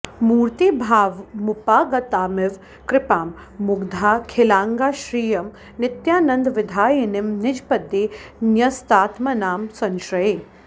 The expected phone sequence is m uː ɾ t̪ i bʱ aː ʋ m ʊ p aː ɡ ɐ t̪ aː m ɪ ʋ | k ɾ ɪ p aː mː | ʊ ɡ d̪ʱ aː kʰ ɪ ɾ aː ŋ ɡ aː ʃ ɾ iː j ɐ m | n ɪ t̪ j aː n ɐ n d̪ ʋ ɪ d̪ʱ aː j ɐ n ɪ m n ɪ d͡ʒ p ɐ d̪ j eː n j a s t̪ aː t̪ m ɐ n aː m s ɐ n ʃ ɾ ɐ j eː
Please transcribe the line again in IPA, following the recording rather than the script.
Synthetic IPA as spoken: m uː ɾ t̪ i bʱ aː ʋ m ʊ p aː ɡ ɐ t̪ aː m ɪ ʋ | k ɾ ɪ p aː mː | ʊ ɡ d̪ʱ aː kʰ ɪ l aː ŋ ɡ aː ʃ ɾ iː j ɐ m | n ɪ t̪ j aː n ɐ n d̪ ʋ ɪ d̪ʱ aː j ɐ n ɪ m n ɪ d͡ʒ p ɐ d̪ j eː n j ɐ s t̪ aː t̪ m ɐ n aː m s ɐ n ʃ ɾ ɐ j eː